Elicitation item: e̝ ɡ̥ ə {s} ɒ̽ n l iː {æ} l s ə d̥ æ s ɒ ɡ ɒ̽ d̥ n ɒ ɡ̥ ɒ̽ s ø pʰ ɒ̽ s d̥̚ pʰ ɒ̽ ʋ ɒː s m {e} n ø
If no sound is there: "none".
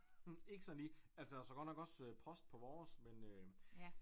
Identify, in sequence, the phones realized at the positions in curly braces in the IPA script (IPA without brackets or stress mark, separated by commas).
s, æ, e